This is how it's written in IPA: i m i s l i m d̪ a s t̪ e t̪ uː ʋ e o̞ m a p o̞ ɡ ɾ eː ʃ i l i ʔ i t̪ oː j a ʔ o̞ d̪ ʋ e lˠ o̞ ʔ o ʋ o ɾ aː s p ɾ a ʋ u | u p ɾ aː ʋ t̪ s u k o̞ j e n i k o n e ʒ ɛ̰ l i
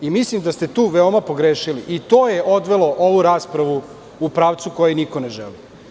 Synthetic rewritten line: i m i s l i m d̪ a s t̪ e t̪ uː ʋ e o̞ m a p o̞ ɡ ɾ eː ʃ i l i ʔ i t̪ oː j e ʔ o̞ d̪ ʋ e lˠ o̞ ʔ o ʋ u ɾ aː s p ɾ a ʋ u | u p ɾ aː ʋ t̪ s u k o̞ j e n i k o n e ʒ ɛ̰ l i